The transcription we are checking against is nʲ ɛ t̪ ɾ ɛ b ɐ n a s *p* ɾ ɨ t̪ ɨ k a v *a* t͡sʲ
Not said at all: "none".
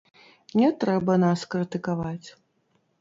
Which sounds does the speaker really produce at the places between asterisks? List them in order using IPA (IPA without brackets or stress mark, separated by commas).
k, a